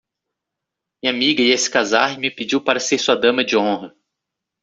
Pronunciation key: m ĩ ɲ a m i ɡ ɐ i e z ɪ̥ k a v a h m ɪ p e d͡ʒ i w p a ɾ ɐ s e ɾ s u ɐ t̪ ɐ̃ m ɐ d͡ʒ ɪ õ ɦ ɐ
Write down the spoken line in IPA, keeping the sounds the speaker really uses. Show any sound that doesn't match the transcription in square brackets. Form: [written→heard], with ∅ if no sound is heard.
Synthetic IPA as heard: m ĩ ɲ a m i ɡ ɐ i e [z→s] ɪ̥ k a [v→z] a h m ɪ p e d͡ʒ i w p a ɾ ɐ s e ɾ s u ɐ [t̪→d̪] ɐ̃ m ɐ d͡ʒ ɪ õ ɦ ɐ

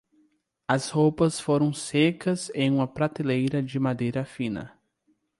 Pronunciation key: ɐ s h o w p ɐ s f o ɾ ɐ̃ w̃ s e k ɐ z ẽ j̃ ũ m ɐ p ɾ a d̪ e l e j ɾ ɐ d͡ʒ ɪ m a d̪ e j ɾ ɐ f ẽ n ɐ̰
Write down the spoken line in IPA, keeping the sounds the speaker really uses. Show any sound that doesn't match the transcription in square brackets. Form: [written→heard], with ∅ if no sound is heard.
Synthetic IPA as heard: ɐ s h o w p ɐ s f o ɾ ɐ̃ w̃ s e k ɐ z ẽ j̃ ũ m ɐ p ɾ a [d̪→t̪] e l e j ɾ ɐ d͡ʒ ɪ m a d̪ e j ɾ ɐ f [ẽ→ĩ] n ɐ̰

